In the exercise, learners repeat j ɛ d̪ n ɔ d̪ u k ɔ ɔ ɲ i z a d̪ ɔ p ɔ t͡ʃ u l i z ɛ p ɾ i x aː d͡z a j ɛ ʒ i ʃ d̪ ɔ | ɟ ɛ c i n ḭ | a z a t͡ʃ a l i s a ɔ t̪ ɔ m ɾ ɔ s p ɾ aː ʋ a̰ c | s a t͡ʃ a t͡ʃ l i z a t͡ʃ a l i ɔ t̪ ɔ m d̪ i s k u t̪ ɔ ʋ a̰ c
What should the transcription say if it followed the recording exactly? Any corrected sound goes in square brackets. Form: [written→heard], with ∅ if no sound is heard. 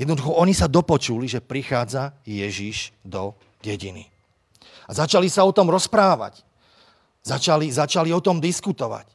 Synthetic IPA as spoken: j ɛ d̪ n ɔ d̪ u [k→x] ɔ ɔ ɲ i [z→s] a d̪ ɔ p ɔ t͡ʃ u l i [z→ʒ] ɛ p ɾ i x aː d͡z a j ɛ ʒ i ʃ d̪ ɔ | ɟ ɛ [c→ɟ] i n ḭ | a z a t͡ʃ a l i s a ɔ t̪ ɔ m ɾ ɔ s p ɾ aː ʋ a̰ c | [s→z] a t͡ʃ a [t͡ʃ→∅] l i z a t͡ʃ a l i ɔ t̪ ɔ m d̪ i s k u t̪ ɔ ʋ a̰ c